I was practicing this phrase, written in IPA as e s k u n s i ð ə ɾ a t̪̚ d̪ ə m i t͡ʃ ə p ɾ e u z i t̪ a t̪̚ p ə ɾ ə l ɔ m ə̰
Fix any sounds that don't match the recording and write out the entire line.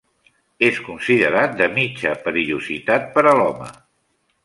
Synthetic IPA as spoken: e s k u n s i ð ə ɾ a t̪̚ d̪ ə m i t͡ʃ ə p ɾ i u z i t̪ a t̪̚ p ə ɾ ə l ɔ m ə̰